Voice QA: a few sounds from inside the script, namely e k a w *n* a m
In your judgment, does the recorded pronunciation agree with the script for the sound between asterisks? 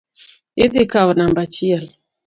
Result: yes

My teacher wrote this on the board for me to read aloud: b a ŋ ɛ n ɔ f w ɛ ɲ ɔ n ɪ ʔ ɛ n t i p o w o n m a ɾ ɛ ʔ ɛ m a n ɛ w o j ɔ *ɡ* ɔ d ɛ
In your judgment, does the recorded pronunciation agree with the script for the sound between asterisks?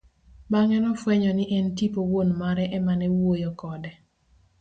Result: no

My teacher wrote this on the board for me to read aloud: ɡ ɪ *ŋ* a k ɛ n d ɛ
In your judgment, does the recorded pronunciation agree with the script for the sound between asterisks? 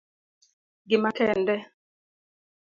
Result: no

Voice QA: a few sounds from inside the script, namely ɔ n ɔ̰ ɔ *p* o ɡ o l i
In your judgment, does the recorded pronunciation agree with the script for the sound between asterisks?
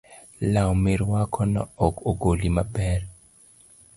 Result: no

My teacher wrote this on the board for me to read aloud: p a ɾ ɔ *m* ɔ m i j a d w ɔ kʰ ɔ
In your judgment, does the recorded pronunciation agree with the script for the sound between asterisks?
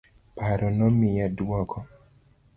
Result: no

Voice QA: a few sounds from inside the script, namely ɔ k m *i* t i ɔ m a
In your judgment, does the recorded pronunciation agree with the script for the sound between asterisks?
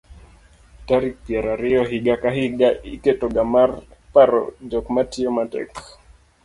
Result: no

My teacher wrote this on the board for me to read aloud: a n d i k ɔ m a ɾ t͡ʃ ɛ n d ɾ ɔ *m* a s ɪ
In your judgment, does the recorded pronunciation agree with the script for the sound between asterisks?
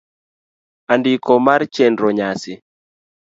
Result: no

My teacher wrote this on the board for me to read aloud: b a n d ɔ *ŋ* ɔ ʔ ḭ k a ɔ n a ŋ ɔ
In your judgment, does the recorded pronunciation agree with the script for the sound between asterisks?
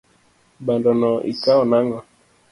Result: no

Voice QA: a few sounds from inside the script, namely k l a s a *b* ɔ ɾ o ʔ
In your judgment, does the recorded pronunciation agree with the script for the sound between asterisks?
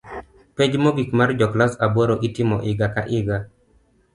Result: yes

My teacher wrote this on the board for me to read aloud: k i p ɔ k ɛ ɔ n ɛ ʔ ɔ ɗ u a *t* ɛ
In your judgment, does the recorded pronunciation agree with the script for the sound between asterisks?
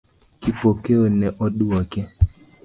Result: no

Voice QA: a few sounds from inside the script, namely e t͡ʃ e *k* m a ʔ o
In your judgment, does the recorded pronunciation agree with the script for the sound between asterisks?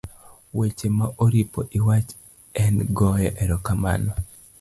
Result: no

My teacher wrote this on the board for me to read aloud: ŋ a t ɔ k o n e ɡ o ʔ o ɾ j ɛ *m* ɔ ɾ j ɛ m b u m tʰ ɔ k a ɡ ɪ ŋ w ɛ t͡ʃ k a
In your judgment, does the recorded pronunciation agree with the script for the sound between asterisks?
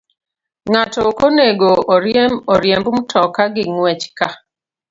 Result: yes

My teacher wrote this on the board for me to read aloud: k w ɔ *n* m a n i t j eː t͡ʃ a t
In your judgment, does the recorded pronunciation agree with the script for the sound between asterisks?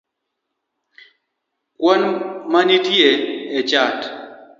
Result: yes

